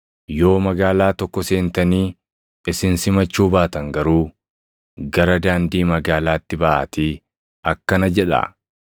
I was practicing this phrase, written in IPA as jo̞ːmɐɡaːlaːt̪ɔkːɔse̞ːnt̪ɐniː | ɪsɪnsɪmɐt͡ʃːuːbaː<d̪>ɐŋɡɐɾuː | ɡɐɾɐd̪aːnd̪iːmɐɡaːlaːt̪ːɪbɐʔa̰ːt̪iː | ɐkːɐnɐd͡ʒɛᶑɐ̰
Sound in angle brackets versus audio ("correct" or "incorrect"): incorrect